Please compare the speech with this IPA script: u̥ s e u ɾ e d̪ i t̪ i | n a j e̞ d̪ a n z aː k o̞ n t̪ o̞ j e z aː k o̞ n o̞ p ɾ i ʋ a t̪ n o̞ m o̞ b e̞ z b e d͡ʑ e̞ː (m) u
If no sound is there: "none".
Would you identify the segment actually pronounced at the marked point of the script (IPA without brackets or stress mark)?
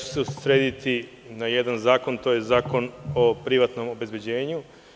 ɲ